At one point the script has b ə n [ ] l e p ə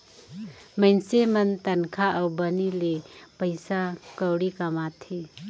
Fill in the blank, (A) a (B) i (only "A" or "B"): B